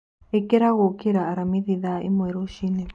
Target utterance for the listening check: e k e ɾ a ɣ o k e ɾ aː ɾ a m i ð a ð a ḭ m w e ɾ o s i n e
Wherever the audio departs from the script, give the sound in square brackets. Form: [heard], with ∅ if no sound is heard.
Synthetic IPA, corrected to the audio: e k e ɾ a ɣ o k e ɾ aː ɾ a m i ð [i] ð a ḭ m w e ɾ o [ʃ] i n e